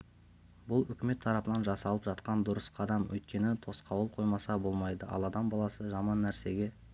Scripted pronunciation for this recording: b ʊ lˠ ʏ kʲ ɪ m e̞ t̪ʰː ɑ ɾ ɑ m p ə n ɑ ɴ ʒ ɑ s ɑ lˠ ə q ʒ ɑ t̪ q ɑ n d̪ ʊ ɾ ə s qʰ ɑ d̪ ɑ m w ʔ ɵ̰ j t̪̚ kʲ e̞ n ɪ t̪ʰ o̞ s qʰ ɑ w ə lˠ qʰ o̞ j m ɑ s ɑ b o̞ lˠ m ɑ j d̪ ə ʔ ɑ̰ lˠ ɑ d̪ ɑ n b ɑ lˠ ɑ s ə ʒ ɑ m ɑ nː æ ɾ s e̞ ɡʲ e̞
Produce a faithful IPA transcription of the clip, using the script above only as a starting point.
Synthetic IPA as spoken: b ʊ lˠ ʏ kʲ ɪ m e̞ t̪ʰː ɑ ɾ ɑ p ə n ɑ n ʒ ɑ s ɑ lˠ ə p ʒ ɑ t̪ q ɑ n d̪ ʊ ɾ ə s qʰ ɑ d̪ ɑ m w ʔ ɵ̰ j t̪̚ kʲ e̞ n ɪ t̪ʰ o̞ s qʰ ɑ w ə lˠ qʰ o̞ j m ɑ s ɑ b o̞ lˠ m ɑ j d̪ ə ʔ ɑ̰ lˠ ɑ d̪ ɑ m b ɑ lˠ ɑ s ə ʒ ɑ m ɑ nː æ ɾ s e̞ ɡʲ e̞